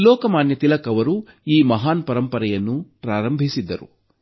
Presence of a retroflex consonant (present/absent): absent